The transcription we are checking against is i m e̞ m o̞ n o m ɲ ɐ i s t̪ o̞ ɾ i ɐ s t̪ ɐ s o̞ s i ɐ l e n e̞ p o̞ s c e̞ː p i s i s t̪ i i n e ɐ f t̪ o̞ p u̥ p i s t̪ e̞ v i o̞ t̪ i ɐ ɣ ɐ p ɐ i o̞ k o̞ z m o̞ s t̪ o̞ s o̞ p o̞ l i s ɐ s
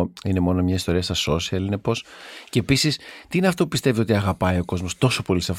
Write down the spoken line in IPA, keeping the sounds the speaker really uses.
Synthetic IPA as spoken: i n e̞ m o̞ n o m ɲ ɐ i s t̪ o̞ ɾ i ɐ s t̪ ɐ s o̞ s i ɐ l i n e̞ p o̞ s c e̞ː p i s i s t̪ i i n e ɐ f t̪ o̞ p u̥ p i s t̪ e̞ v i o̞ t̪ i ɐ ɣ ɐ p ɐ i o̞ k o̞ z m o̞ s t̪ o̞ s o̞ p o̞ l i s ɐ f